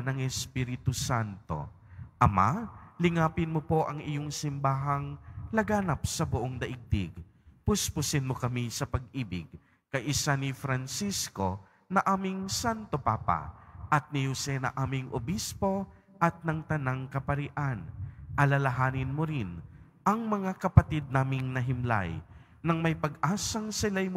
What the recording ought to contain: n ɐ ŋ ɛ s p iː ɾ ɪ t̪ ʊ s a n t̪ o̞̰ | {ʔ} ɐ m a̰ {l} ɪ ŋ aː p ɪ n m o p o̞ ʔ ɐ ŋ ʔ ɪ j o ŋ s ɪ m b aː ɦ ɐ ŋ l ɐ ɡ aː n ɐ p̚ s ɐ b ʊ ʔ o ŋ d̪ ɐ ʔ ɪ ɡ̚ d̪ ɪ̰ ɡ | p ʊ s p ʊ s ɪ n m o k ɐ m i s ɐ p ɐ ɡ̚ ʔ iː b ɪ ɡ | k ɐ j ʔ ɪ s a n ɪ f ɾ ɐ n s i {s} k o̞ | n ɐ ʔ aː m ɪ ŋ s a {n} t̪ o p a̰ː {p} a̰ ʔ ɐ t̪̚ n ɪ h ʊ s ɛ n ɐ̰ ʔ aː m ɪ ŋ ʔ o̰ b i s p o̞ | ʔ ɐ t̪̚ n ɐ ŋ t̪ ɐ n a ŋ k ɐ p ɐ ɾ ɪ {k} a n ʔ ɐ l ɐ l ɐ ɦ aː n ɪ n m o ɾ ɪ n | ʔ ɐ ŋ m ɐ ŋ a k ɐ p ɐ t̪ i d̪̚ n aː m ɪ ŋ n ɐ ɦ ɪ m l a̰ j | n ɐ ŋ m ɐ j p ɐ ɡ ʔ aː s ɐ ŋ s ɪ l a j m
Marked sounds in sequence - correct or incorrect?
correct, correct, correct, correct, correct, incorrect

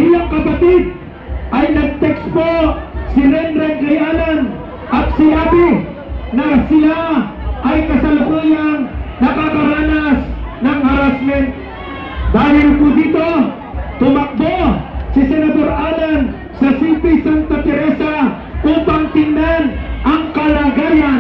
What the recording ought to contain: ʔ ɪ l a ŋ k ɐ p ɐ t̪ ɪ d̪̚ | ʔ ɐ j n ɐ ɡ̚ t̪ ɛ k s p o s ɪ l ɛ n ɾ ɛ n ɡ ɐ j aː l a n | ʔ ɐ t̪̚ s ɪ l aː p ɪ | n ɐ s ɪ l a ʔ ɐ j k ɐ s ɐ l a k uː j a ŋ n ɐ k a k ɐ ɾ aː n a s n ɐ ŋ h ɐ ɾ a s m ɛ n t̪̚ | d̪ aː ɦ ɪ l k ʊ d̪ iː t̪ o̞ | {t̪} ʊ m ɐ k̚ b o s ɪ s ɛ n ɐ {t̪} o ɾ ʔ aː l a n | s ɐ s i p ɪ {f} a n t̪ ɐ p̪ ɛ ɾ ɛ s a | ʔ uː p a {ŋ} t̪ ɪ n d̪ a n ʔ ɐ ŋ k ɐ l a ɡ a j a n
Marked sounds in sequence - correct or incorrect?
correct, incorrect, incorrect, correct

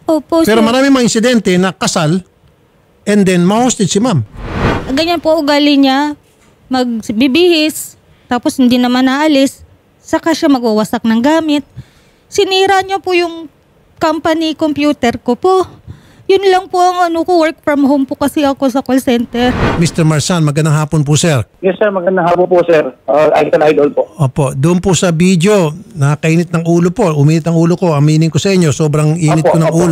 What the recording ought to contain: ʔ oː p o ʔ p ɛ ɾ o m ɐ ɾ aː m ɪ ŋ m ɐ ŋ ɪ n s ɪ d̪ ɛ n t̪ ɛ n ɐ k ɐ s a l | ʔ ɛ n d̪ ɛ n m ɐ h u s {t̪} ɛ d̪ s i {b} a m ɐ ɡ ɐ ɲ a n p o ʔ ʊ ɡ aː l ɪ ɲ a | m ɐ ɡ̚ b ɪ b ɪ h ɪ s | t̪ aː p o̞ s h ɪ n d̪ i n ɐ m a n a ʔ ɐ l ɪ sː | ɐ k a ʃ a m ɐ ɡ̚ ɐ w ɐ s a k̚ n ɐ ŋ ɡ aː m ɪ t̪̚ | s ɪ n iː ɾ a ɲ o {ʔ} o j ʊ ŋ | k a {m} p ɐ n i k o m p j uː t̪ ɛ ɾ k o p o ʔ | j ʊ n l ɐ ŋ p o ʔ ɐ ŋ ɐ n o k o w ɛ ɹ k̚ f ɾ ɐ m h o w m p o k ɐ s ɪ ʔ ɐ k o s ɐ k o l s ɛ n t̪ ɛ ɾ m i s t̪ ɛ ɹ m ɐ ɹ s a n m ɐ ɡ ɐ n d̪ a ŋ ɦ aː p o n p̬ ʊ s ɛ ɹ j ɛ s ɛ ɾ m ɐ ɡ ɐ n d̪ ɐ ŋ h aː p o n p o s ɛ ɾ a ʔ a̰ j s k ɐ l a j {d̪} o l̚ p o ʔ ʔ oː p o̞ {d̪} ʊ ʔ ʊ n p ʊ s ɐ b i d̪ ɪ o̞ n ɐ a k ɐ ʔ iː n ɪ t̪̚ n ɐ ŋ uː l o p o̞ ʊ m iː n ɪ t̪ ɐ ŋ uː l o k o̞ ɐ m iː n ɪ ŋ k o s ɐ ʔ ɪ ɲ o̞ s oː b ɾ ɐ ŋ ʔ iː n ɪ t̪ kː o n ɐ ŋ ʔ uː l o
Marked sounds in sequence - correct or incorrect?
correct, incorrect, incorrect, correct, correct, correct

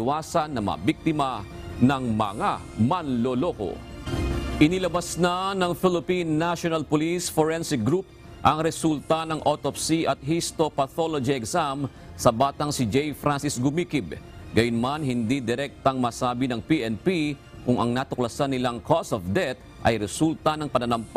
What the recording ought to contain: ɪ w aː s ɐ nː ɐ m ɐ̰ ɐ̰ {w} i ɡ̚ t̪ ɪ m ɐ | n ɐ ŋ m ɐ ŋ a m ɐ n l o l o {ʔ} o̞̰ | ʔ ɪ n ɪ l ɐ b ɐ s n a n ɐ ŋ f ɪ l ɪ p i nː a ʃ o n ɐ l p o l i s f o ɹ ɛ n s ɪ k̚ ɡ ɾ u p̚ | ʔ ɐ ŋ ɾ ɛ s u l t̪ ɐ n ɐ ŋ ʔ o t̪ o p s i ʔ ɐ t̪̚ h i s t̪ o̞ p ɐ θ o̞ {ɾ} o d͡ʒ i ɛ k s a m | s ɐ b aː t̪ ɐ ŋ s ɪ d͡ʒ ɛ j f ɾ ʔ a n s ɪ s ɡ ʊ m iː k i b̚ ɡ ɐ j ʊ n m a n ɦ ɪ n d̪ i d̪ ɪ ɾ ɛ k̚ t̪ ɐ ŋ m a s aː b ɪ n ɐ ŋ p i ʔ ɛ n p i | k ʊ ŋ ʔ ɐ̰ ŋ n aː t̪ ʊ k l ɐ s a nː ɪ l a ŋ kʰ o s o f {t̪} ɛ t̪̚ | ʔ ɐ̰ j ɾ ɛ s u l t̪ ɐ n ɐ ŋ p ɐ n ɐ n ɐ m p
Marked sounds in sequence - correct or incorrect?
incorrect, incorrect, incorrect, incorrect

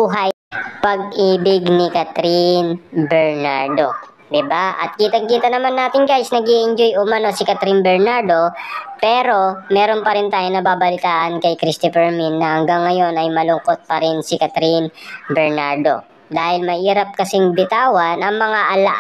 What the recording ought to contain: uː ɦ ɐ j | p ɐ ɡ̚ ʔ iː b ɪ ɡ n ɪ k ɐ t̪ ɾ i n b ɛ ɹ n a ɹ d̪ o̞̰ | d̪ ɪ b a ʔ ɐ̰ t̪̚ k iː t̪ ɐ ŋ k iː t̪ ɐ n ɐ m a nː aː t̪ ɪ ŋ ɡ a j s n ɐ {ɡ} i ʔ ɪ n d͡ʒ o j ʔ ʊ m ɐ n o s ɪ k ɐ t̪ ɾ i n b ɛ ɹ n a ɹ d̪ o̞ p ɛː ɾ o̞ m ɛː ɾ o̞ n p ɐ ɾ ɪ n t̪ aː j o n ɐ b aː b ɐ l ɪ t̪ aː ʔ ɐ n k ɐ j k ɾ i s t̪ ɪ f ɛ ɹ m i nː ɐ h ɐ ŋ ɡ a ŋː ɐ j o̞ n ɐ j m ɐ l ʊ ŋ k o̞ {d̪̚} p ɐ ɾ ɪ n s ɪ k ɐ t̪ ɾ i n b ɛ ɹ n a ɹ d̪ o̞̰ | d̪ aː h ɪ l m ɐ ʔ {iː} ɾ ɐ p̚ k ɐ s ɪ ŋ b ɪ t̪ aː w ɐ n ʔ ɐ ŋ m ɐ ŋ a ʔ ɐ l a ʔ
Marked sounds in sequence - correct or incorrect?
correct, incorrect, correct

